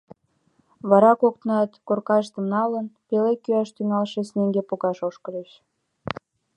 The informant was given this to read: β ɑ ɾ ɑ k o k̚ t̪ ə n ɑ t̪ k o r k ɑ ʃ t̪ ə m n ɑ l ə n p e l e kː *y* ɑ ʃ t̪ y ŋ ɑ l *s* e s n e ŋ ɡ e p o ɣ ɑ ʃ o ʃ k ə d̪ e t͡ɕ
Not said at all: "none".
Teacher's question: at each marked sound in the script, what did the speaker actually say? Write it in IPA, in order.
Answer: y, ʃ

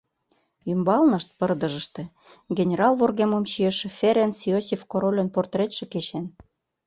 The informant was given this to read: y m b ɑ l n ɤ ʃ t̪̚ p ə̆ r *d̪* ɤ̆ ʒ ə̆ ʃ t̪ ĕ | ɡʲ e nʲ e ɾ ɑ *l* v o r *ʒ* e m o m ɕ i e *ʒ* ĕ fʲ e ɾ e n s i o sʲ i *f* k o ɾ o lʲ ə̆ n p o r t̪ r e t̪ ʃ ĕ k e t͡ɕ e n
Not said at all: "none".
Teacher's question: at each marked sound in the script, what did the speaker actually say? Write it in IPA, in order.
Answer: d̪, l, ɣ, ʃ, f

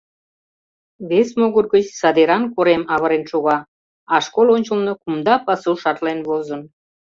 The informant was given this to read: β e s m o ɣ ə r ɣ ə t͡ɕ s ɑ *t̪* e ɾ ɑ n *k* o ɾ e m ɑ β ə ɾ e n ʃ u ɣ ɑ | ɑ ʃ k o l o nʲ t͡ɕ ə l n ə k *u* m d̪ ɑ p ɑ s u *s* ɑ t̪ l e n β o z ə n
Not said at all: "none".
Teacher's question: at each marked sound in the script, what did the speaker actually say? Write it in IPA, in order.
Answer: d̪, k, u, ʃ

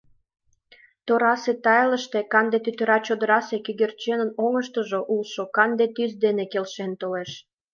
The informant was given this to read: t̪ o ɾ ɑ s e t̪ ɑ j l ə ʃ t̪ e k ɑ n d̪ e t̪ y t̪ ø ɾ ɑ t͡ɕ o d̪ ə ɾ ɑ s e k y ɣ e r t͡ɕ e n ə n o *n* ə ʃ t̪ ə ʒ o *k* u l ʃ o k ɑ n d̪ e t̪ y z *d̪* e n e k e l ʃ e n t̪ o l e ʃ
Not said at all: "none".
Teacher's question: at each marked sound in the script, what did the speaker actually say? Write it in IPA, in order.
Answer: ŋ, ʔ, d̪

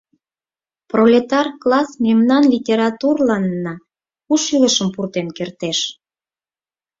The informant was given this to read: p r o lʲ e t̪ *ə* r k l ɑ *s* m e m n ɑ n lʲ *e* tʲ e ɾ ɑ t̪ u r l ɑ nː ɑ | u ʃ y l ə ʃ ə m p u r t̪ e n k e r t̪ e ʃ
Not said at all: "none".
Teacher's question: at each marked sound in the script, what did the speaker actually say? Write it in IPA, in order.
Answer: ɑ, s, i

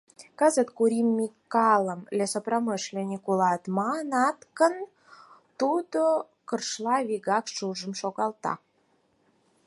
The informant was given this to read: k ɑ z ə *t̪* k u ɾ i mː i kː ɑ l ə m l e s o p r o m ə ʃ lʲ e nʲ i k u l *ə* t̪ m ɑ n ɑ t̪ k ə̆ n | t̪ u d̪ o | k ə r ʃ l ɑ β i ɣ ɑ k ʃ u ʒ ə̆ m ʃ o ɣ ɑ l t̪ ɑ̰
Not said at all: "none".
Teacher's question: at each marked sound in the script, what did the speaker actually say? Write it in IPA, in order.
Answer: t̪, ɑ

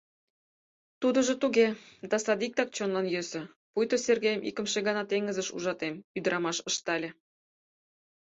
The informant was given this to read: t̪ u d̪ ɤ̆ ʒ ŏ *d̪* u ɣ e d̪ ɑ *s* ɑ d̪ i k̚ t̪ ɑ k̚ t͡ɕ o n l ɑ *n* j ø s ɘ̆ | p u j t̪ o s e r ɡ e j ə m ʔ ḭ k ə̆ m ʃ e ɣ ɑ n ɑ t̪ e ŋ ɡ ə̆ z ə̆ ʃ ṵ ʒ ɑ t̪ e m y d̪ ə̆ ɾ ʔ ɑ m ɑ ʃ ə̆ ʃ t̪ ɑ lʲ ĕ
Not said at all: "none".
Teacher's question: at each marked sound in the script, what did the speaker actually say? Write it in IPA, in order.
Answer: t̪, s, n

